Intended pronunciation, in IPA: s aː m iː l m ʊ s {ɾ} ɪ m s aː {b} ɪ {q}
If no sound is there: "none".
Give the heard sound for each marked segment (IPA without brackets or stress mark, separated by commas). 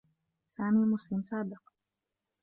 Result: l, b, q